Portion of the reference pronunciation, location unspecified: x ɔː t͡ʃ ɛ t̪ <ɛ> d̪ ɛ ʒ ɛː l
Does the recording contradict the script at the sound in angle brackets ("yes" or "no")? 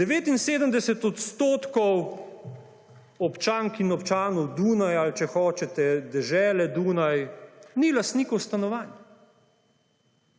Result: no